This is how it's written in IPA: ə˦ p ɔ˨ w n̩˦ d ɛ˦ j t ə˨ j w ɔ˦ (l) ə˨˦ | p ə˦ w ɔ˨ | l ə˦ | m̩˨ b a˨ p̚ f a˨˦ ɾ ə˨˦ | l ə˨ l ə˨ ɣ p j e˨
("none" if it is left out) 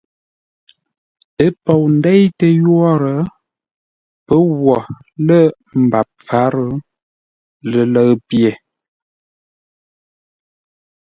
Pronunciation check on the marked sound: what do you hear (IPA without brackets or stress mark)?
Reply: ɾ